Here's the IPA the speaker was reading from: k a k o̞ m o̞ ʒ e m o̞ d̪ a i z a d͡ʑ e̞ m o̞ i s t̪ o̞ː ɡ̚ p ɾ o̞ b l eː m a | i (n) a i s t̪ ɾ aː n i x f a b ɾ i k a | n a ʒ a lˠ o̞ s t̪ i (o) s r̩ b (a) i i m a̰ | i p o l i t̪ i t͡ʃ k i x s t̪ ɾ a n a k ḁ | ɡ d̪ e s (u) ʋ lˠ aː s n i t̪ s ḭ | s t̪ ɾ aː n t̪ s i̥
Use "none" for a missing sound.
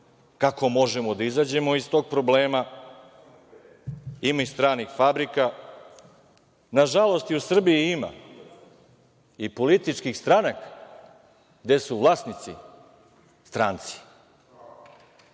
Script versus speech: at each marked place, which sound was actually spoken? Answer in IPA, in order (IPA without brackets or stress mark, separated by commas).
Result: m, u, i, u